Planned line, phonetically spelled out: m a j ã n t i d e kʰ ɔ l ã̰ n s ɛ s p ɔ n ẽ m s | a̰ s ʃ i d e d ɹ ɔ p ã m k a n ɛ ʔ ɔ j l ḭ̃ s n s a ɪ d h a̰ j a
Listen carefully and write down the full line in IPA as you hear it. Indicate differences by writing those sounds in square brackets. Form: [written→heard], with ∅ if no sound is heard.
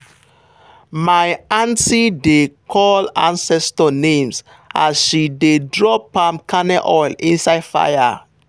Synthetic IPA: m a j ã n t i d e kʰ ɔ l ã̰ n s ɛ s [p→t] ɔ n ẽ m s | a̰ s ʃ i d e d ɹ ɔ p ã m k a n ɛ ʔ ɔ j l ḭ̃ [s→∅] n s a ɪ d [h→f] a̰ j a